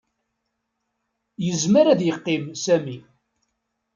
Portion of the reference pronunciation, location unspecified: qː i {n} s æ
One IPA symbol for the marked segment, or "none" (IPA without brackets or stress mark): m